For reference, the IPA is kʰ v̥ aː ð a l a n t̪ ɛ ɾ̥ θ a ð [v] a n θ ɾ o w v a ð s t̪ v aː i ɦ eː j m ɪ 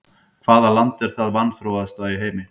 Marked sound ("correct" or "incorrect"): correct